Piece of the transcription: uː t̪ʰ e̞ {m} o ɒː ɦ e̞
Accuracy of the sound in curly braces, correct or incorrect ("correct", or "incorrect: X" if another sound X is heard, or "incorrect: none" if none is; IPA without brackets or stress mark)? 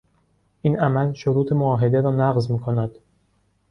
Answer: correct